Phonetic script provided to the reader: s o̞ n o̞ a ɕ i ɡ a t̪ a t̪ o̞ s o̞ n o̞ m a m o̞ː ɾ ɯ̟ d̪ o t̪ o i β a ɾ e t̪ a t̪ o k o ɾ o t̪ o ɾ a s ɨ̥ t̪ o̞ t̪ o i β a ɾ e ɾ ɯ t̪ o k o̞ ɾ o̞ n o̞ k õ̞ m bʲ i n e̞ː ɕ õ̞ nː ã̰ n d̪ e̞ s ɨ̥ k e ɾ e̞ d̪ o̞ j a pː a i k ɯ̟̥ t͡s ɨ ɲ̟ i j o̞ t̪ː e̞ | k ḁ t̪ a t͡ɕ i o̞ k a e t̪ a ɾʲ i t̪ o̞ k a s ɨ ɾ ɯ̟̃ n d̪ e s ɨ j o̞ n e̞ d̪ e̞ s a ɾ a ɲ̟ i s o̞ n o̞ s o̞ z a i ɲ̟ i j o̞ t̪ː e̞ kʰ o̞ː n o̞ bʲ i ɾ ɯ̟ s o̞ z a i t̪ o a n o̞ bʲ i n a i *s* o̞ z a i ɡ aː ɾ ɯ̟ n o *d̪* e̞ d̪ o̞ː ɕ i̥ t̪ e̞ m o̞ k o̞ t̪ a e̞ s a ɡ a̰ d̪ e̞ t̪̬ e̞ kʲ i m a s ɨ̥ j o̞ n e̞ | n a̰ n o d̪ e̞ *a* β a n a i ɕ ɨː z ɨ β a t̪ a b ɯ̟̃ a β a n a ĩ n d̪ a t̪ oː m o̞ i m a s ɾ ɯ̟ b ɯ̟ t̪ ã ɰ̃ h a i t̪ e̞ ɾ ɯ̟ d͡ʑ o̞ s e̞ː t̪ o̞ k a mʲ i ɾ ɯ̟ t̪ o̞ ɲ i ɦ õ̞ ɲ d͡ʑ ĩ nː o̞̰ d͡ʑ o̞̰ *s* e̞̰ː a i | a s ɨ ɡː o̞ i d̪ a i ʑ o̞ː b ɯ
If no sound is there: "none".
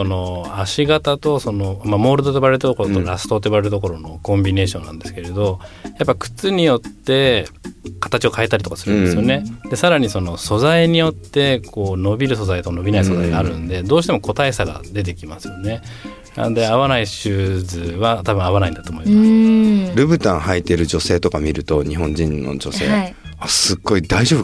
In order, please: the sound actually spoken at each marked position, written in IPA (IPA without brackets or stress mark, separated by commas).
s, d̪, a, s